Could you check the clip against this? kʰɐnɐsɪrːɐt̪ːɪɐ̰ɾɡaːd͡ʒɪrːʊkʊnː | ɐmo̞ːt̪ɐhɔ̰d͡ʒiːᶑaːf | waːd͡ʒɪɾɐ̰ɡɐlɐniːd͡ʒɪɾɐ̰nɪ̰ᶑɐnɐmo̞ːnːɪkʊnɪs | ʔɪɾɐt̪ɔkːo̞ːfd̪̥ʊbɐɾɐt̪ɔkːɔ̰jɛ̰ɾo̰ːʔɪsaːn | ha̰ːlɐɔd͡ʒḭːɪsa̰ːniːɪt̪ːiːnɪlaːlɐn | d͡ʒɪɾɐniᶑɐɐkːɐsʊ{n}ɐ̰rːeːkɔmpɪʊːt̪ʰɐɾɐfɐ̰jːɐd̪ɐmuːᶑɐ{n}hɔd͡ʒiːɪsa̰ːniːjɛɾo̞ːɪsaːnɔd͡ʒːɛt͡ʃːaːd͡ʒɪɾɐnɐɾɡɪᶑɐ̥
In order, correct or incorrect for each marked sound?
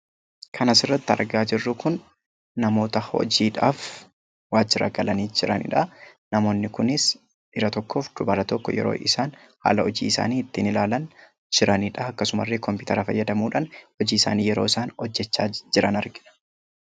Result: incorrect, correct

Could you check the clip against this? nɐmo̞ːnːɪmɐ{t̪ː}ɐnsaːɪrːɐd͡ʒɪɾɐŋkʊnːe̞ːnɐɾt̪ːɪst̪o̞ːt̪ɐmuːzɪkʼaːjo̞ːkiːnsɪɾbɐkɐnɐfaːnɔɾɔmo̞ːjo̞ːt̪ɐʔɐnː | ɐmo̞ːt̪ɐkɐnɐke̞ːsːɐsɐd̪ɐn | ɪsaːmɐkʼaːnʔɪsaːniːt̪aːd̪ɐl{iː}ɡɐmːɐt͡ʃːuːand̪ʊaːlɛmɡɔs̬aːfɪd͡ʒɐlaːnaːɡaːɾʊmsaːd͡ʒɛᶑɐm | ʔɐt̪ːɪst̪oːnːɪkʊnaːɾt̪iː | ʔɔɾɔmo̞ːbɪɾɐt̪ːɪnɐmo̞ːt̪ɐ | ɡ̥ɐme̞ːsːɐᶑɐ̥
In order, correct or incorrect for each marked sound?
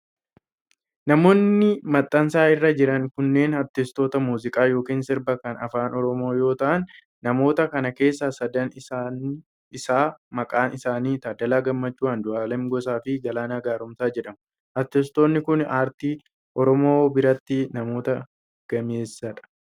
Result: incorrect, incorrect

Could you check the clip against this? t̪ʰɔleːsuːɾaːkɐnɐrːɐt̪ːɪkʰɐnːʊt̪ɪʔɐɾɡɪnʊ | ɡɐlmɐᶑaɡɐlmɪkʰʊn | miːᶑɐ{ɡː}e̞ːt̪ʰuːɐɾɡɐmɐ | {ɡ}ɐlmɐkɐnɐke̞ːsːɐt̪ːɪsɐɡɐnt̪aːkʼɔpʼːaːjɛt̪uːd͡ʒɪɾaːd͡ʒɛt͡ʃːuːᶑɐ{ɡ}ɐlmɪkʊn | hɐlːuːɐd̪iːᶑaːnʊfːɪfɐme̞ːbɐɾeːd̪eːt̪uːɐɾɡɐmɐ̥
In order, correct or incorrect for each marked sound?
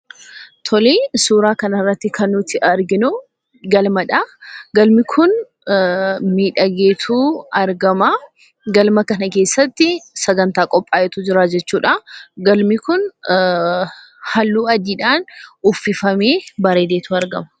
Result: incorrect, correct, correct

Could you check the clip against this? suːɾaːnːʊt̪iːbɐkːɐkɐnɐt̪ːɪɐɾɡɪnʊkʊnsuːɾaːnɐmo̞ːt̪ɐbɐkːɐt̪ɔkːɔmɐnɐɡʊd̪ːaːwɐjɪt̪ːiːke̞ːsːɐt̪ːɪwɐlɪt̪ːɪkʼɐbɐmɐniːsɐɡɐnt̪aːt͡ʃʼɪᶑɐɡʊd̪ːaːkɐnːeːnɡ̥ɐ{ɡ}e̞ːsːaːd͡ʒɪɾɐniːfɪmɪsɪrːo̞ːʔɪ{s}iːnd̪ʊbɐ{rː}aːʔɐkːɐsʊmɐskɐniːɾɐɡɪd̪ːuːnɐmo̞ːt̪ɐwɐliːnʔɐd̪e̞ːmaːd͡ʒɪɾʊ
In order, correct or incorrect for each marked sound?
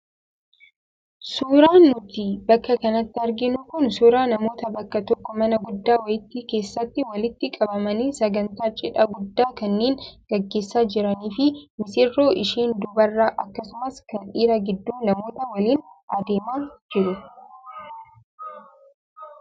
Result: incorrect, incorrect, correct

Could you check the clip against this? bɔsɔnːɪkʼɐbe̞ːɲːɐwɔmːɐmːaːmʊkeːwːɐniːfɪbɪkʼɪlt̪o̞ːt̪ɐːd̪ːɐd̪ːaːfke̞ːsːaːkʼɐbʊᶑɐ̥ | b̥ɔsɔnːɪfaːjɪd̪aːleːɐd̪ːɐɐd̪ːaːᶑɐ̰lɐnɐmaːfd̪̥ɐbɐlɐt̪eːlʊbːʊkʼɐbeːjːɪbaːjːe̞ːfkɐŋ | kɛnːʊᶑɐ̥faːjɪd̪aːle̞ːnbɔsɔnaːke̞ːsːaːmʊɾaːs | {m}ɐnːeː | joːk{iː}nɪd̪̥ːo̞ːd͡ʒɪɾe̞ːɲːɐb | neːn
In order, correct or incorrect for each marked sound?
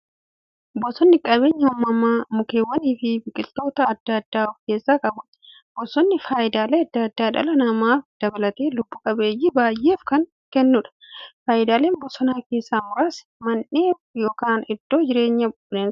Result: correct, incorrect

